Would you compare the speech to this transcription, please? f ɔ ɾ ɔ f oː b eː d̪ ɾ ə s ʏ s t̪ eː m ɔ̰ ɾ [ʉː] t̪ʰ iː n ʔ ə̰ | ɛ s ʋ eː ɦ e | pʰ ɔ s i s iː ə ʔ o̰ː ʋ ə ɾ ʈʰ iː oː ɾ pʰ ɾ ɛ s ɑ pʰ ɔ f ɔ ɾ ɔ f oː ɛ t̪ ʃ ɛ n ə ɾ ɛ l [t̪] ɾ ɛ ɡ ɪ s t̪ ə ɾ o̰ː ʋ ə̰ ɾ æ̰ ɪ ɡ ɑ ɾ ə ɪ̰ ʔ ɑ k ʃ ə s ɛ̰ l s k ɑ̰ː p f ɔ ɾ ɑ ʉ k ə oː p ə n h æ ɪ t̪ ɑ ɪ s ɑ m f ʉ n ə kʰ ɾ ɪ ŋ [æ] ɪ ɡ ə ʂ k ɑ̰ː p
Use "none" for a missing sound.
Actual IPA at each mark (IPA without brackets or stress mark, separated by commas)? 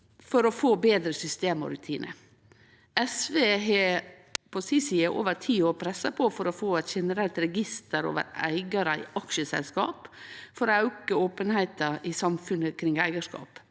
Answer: ʉ, t̪, æ